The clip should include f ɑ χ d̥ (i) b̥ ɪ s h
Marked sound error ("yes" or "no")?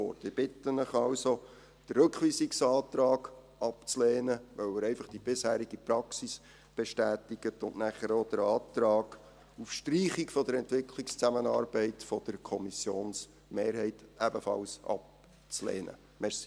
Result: no